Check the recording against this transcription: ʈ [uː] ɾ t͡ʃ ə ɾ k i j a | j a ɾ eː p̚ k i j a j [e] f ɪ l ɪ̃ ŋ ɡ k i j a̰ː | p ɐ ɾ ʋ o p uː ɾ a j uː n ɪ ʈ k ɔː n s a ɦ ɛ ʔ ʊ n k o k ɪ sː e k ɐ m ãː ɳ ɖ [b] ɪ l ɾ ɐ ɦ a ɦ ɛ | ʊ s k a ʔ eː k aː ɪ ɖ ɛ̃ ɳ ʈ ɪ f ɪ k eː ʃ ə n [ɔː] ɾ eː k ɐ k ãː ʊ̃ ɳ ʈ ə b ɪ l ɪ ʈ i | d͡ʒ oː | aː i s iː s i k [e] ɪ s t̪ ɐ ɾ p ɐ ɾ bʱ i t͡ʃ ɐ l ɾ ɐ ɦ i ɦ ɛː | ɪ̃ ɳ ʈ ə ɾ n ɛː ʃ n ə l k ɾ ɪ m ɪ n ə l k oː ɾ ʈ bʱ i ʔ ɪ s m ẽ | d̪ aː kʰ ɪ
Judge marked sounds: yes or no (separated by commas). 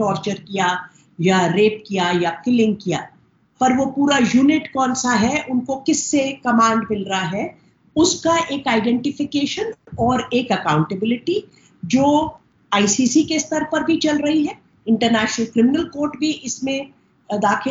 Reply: no, no, no, yes, yes